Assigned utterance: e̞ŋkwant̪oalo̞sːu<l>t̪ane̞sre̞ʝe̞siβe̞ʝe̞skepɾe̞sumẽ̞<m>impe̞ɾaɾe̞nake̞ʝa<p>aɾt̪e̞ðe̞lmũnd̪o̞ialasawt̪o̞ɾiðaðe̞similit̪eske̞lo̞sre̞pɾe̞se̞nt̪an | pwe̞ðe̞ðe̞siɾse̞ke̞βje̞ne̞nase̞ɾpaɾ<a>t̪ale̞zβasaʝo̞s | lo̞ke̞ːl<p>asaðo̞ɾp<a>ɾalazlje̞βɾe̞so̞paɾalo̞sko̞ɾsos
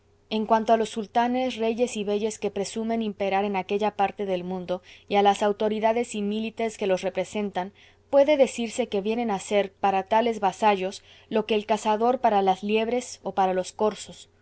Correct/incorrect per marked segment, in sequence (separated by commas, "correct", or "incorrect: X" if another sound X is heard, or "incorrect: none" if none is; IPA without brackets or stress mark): correct, incorrect: n, correct, correct, incorrect: k, correct